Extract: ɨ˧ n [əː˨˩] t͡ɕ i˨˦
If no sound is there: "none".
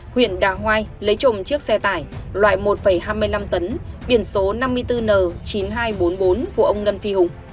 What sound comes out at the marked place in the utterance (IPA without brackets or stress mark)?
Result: əː˨˩